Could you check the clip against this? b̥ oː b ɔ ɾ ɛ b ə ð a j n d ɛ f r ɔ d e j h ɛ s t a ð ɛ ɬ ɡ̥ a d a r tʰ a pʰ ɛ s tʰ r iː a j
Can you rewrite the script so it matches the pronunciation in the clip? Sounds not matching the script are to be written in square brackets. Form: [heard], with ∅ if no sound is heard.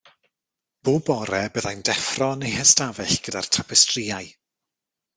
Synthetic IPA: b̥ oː b ɔ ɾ ɛ b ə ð a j n d ɛ f r ɔ [n] e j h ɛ s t a [v] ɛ ɬ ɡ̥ [ə] d a r tʰ a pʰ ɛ s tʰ r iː a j